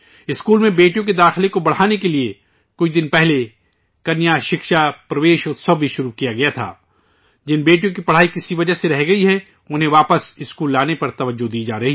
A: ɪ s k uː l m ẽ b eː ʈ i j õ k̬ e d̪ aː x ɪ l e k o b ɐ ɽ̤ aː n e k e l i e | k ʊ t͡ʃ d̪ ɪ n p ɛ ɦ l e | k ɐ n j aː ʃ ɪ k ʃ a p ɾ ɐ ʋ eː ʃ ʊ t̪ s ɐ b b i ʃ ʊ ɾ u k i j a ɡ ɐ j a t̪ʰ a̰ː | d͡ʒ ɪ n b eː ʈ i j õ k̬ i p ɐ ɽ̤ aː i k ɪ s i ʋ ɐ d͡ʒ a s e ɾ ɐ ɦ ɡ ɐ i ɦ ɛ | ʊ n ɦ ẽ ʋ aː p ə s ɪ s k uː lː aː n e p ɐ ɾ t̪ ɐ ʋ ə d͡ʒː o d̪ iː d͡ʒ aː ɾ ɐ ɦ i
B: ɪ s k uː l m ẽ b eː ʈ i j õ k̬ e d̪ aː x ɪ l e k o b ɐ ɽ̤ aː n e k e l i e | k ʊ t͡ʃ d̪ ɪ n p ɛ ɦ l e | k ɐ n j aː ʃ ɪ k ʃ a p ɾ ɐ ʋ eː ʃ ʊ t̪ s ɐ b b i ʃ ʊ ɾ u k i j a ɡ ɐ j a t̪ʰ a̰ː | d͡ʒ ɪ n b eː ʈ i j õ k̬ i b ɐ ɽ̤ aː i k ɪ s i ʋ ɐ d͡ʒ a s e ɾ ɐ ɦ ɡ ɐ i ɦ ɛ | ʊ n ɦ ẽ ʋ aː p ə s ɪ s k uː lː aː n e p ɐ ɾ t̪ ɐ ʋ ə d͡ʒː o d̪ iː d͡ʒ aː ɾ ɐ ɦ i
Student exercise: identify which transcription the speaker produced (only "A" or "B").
A